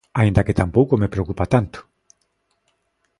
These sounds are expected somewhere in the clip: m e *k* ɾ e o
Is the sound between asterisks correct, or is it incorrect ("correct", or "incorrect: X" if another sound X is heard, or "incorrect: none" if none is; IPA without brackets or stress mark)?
incorrect: p